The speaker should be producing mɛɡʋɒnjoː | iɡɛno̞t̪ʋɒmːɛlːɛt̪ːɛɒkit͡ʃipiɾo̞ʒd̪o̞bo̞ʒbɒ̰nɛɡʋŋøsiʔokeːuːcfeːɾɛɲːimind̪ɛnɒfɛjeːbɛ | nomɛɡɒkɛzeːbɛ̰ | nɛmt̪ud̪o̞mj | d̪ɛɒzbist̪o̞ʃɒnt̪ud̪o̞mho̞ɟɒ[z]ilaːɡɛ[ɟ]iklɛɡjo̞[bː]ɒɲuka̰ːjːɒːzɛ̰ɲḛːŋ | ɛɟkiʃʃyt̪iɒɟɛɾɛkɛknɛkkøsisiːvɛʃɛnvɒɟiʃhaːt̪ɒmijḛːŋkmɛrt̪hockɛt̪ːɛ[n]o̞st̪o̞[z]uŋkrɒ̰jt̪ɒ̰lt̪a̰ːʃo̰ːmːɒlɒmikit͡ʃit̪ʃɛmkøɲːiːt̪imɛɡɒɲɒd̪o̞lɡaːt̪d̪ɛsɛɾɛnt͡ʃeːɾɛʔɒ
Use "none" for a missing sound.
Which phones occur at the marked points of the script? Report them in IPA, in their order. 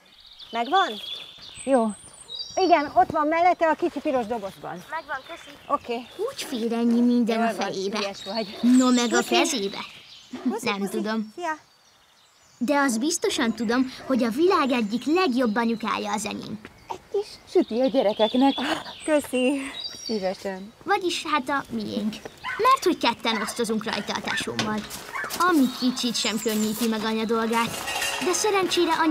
v, ɟː, bː, n, z

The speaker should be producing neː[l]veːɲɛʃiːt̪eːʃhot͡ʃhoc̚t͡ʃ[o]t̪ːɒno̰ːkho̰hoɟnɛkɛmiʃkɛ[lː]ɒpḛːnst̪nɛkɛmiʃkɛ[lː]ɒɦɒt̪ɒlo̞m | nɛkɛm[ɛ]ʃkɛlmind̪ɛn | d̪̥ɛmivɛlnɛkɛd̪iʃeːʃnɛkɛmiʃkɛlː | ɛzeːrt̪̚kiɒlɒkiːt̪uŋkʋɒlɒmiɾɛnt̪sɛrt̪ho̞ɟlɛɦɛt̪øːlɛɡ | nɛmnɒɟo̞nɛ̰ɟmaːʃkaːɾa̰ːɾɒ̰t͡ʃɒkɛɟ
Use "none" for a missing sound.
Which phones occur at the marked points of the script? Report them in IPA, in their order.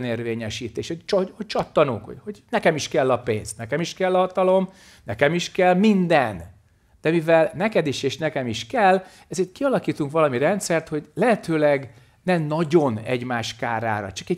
r, ɒ, lː, lː, i

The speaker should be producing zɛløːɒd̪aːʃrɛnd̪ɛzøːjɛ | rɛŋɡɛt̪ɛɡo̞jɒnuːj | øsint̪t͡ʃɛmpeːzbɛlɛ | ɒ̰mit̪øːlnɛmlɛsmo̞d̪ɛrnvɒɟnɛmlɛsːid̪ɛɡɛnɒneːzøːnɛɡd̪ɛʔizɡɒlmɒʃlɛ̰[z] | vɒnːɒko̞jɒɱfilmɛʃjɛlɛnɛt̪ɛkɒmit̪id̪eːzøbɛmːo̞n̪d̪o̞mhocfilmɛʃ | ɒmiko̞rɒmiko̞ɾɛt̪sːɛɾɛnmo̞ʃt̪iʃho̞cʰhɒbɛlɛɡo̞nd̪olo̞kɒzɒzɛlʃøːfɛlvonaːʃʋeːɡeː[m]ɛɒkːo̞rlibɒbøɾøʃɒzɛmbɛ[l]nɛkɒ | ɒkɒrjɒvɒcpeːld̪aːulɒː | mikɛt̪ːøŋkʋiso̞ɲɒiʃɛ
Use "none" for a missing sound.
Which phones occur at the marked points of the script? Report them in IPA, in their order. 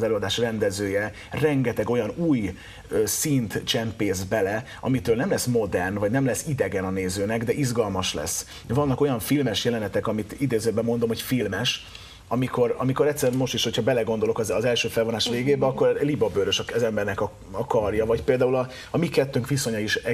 s, b, r

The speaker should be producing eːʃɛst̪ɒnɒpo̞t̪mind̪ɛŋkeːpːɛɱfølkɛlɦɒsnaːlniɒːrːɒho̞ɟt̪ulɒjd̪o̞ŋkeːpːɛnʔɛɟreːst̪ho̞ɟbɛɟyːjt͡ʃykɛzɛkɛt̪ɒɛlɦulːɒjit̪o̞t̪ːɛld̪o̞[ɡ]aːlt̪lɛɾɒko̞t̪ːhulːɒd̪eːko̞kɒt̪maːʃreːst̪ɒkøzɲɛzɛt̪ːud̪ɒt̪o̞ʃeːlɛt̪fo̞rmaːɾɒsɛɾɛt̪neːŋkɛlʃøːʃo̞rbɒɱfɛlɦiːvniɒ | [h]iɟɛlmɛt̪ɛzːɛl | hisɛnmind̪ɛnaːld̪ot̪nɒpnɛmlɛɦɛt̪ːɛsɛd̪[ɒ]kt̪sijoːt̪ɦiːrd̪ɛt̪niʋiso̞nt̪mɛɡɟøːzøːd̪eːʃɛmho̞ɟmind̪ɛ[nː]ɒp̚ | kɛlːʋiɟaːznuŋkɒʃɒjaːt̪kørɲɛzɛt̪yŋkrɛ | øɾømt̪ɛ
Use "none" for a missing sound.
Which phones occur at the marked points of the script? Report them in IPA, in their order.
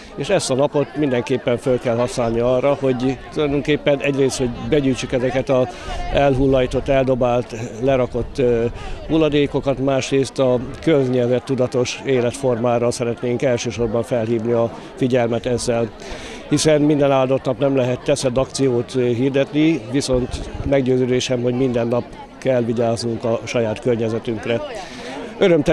b, f, ɒ, nː

